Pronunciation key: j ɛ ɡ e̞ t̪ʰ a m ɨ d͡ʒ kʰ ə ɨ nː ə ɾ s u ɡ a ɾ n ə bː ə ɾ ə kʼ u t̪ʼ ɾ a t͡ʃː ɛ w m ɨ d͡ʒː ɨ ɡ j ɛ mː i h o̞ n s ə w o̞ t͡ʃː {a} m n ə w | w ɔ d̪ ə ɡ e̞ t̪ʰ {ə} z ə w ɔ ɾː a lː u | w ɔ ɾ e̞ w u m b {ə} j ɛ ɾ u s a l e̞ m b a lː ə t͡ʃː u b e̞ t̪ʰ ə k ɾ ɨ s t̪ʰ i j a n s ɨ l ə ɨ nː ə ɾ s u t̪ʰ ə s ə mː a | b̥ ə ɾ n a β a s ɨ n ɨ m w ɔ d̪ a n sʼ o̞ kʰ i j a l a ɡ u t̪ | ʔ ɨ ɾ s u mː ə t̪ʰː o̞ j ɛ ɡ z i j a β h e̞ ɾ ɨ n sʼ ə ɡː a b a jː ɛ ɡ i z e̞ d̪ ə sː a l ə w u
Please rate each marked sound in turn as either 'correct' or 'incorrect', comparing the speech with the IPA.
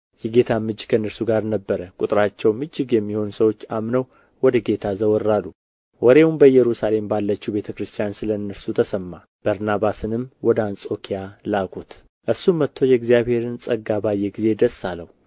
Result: correct, incorrect: a, correct

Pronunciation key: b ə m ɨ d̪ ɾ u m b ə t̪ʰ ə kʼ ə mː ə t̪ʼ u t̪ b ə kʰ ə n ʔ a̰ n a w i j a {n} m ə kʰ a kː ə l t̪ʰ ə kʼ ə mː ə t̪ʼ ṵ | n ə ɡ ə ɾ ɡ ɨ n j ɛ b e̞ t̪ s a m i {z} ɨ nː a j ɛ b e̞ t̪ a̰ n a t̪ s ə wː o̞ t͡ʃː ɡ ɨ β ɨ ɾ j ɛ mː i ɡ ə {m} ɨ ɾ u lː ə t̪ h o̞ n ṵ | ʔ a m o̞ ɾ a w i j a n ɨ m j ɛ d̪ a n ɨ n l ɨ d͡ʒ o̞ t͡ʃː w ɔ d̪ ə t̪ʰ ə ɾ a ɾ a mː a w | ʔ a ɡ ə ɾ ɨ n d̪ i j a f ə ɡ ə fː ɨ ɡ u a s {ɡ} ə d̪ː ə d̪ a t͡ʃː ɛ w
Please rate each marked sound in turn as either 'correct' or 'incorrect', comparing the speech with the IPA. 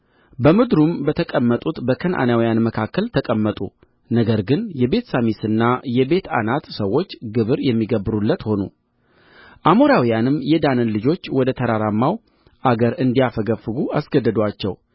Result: correct, incorrect: s, incorrect: b, correct

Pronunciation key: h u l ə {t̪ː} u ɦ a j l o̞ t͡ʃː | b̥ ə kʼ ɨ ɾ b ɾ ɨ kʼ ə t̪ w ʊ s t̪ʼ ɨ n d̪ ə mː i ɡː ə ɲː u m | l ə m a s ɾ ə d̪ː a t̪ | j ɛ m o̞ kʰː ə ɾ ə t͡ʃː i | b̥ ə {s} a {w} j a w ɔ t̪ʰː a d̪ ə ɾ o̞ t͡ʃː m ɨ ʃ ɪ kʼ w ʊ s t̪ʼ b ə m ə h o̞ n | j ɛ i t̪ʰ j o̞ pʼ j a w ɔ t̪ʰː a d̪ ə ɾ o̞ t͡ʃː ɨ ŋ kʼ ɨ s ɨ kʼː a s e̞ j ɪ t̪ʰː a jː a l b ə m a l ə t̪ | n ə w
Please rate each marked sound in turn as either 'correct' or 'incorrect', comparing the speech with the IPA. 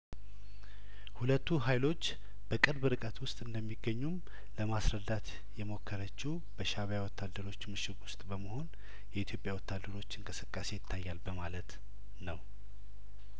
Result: correct, incorrect: ʃ, incorrect: β

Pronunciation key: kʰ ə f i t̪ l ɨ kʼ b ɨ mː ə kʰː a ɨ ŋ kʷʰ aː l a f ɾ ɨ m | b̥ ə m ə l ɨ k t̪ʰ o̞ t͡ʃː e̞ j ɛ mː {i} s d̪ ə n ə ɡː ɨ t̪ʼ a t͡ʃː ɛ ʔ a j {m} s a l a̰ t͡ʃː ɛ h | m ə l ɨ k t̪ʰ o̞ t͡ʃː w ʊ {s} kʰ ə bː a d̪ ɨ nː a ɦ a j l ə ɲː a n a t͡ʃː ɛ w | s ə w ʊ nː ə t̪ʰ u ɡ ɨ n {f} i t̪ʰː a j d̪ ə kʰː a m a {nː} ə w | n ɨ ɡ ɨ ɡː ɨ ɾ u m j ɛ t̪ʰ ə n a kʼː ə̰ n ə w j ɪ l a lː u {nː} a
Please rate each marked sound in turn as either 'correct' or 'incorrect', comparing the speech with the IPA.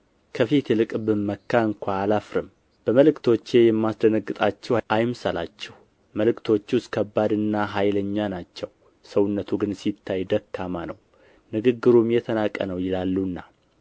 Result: incorrect: a, correct, correct, incorrect: s, incorrect: n, correct

